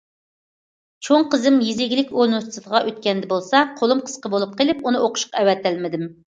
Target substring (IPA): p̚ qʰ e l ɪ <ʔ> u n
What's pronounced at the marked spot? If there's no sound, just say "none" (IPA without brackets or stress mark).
p